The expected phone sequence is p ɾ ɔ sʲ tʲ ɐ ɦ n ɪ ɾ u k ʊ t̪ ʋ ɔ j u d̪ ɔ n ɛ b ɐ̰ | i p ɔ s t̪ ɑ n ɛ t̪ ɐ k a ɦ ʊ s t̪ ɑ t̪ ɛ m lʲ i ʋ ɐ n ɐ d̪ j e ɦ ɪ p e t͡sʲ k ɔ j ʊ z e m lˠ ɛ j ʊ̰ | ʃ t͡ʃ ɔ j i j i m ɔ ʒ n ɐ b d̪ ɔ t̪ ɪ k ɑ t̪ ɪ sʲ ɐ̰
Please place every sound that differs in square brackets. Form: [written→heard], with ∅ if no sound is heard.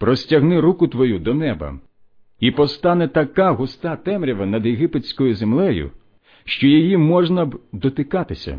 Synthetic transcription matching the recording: p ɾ ɔ sʲ tʲ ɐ ɦ n ɪ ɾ u k ʊ t̪ ʋ ɔ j u d̪ ɔ n ɛ b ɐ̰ | i p ɔ s t̪ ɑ n ɛ t̪ ɐ k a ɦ ʊ s t̪ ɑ t̪ ɛ m [lʲ→ɾʲ] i ʋ ɐ n ɐ d̪ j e ɦ ɪ p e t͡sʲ k ɔ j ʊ z e m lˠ ɛ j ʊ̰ | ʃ t͡ʃ ɔ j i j i m ɔ ʒ n ɐ b d̪ ɔ t̪ ɪ k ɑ t̪ ɪ sʲ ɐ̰